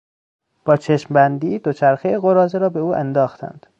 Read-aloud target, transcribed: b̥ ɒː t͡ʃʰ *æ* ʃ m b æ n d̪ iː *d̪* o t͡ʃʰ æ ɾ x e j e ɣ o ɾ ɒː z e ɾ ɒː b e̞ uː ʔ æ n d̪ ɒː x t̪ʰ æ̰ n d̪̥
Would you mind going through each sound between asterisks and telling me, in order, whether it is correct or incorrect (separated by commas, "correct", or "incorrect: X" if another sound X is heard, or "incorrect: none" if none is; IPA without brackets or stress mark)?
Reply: incorrect: e, correct